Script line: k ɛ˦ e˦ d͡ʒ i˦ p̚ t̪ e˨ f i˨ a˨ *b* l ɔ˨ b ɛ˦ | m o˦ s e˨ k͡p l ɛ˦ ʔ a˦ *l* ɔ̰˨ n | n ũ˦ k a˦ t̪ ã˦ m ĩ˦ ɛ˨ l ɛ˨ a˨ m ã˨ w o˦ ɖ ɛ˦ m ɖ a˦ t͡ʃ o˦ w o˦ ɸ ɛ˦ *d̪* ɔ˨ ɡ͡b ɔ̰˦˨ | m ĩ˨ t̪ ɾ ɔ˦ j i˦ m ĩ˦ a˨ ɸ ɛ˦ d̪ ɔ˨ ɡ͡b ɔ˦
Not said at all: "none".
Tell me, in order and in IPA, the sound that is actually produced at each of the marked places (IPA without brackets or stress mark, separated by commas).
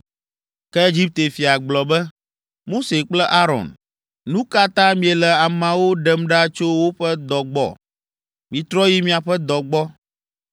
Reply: ɡ͡b, ɾ, d̪